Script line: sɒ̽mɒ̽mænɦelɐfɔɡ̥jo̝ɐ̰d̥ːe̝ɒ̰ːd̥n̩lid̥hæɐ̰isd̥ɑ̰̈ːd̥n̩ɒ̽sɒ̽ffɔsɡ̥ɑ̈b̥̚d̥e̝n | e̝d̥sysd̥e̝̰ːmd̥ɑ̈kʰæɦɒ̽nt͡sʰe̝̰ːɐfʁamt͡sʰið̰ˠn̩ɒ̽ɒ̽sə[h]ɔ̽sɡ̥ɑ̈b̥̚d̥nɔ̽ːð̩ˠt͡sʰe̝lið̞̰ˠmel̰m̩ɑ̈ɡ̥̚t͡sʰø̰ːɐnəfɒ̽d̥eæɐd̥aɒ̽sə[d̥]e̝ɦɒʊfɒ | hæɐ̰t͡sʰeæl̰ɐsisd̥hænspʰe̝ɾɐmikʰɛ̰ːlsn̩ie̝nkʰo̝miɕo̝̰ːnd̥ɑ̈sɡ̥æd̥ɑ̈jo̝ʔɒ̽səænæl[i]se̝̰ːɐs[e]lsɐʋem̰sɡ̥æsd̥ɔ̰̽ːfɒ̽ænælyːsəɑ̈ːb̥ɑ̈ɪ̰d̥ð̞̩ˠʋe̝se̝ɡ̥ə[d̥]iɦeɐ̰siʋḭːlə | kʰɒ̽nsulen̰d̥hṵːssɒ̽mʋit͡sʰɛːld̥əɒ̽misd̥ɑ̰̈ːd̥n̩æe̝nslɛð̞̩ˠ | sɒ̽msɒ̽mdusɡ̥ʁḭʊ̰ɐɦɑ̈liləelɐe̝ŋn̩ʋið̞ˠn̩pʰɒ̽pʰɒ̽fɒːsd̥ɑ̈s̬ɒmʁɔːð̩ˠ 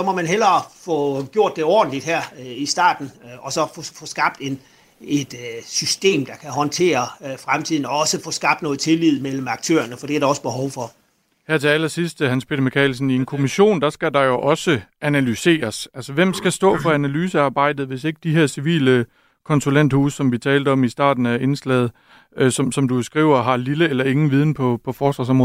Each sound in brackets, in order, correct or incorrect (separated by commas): incorrect, incorrect, incorrect, incorrect, correct